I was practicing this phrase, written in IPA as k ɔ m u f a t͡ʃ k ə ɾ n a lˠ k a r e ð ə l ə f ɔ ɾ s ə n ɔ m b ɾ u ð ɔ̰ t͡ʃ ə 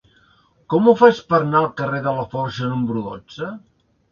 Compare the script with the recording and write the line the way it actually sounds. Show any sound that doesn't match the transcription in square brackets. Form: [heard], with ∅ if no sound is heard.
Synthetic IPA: k ɔ m u f a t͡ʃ [p] ə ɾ n a lˠ k [ə] r e ð ə l ə f ɔ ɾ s ə n [u] m b ɾ u ð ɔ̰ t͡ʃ ə

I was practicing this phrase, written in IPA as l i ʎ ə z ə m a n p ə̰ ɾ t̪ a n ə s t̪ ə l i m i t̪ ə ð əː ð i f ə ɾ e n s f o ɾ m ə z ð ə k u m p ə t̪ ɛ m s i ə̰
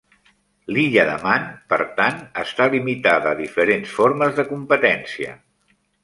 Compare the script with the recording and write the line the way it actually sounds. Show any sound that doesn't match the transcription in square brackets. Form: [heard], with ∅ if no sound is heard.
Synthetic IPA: l i ʎ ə [ð] ə m a n p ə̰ ɾ t̪ a n ə s t̪ [a] l i m i t̪ [a] ð əː ð i f ə ɾ e n s f o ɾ m ə z ð ə k u m p ə t̪ ɛ [n] s i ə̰

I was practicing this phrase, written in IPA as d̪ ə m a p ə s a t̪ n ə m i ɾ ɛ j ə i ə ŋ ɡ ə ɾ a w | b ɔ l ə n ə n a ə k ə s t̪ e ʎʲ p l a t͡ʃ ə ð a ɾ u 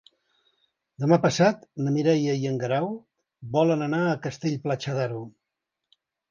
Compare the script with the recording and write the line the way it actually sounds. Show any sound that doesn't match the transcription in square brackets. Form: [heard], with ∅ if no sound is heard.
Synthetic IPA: d̪ ə m a p ə s a t̪ n ə m i ɾ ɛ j ə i ə ŋ ɡ ə ɾ a w | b ɔ l ə n ə n a ə k ə s t̪ e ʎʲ p l a t͡ʃ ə ð a ɾ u

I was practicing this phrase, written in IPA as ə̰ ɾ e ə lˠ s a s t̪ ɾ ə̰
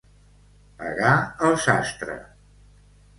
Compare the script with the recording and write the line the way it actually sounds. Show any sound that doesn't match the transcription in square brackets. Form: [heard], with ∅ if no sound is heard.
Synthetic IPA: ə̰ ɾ [a] ə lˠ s a s t̪ ɾ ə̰

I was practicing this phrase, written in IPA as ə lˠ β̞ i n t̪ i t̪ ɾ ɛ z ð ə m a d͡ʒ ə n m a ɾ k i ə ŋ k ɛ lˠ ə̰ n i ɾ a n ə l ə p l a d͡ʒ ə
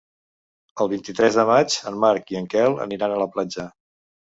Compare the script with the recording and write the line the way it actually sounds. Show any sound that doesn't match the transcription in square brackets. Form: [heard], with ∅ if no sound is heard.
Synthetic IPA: ə lˠ β̞ i n t̪ i t̪ ɾ ɛ z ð ə m a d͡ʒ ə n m a ɾ k i ə ŋ k ɛ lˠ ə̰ n i ɾ a n ə l ə p l a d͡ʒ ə

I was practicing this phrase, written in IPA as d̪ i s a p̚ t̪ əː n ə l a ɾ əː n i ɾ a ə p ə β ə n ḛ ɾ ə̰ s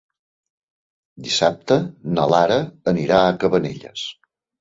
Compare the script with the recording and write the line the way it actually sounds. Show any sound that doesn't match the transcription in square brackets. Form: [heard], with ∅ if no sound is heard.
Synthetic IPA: d̪ i s a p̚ t̪ [ə] n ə l a ɾ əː n i ɾ a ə [k] ə β ə n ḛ [ʎ] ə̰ s

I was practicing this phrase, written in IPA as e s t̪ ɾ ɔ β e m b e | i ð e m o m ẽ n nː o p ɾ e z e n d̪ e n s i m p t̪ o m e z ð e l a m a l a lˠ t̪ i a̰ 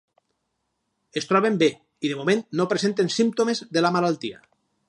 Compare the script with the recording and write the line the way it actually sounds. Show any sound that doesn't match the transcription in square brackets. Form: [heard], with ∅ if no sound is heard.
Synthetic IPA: e s t̪ ɾ ɔ β e m b e | i ð e m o m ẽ n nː o p ɾ e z e n [t̪] e n s i m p t̪ o m e z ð e l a m a l a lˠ t̪ i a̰

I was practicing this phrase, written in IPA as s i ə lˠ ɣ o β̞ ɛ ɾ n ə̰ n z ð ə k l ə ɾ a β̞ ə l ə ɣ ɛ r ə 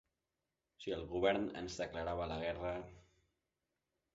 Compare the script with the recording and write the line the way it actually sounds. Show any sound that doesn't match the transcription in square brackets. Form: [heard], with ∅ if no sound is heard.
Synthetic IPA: s i ə lˠ ɣ [u] β̞ ɛ ɾ n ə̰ n z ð ə k l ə ɾ a β̞ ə l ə ɣ ɛ r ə

